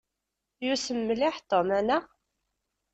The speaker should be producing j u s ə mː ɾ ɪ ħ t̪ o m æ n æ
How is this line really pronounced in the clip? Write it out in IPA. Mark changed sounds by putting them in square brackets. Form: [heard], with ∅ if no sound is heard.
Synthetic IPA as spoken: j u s ə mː [l] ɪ ħ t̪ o m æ n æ